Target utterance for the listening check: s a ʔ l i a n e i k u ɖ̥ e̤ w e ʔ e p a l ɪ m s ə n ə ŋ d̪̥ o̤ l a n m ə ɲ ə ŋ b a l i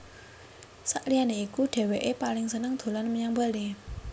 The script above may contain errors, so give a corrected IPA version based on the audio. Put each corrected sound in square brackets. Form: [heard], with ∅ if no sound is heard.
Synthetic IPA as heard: s a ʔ l i a n e i k u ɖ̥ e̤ w e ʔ e p a l ɪ [ŋ] s ə n ə ŋ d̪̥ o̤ l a n m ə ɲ [a] ŋ b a l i